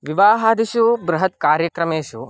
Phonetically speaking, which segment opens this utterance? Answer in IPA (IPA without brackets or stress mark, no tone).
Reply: ʋ